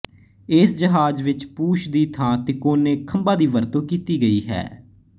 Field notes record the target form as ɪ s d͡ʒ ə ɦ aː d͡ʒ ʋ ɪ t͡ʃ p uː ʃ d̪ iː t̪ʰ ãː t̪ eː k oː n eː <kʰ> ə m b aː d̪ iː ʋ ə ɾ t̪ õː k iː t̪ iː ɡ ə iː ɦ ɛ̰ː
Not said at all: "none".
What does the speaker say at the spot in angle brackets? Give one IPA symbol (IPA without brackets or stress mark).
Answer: kʰ